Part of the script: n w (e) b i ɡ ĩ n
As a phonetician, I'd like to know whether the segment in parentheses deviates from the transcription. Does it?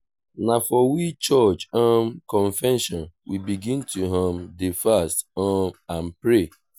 yes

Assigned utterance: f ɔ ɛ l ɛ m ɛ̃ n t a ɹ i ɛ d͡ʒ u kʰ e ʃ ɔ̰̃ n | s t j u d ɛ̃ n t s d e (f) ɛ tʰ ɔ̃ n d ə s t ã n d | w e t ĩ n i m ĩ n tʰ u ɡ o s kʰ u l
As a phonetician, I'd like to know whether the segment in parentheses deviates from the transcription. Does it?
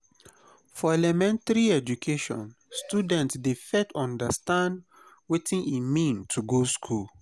no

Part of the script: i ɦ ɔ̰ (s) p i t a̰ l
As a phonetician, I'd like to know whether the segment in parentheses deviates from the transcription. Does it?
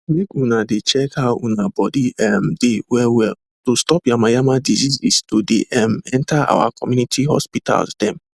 no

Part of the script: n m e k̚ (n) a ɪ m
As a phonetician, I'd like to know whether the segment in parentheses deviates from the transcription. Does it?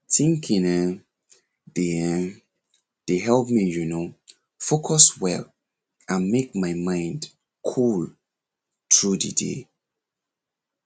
yes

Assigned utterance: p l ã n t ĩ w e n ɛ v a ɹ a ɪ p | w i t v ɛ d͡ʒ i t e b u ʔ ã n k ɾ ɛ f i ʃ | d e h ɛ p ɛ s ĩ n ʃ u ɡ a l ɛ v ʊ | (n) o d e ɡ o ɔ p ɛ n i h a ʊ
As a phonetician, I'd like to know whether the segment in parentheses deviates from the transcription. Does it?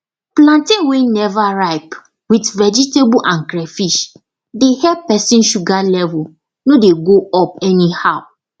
no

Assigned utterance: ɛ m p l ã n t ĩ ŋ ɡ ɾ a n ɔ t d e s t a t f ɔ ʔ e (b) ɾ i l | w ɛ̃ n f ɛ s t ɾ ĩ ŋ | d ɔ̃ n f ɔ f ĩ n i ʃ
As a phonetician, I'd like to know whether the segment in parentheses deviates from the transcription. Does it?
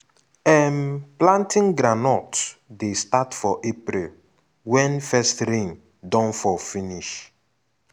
yes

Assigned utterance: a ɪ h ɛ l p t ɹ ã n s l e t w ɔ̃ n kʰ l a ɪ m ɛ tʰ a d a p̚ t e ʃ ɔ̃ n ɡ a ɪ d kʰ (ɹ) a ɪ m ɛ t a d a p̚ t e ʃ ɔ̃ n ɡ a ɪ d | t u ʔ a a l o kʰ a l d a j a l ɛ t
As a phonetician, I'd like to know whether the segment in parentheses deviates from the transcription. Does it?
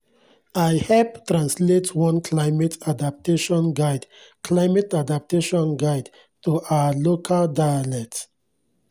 yes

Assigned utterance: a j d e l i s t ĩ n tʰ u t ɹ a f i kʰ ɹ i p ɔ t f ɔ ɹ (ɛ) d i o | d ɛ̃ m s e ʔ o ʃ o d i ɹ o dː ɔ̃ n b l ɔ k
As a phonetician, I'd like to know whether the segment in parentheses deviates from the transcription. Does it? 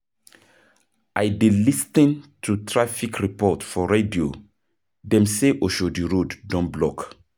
yes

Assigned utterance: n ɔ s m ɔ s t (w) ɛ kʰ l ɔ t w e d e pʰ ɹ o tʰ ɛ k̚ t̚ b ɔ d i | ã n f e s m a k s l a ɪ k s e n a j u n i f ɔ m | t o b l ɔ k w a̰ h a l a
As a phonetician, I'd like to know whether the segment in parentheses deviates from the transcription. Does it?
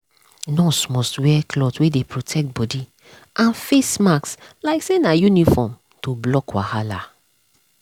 no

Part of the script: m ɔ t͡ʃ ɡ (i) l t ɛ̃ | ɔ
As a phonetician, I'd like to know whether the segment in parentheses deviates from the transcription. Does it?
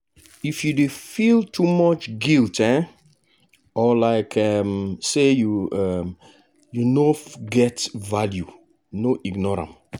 no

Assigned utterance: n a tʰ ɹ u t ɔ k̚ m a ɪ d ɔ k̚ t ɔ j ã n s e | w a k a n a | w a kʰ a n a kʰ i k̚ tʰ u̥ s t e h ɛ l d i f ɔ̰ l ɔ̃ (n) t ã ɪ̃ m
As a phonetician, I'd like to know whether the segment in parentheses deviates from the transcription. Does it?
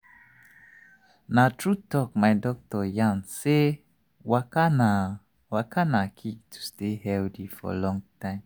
yes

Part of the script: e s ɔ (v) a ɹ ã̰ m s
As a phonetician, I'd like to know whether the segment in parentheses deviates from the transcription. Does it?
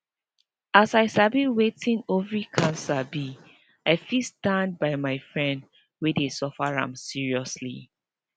yes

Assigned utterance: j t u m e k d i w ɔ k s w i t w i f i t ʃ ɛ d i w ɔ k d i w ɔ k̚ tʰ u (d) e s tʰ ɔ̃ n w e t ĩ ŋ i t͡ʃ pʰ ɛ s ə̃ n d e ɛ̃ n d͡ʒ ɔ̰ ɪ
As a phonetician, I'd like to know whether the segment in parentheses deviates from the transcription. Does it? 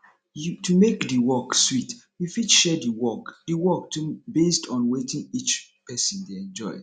yes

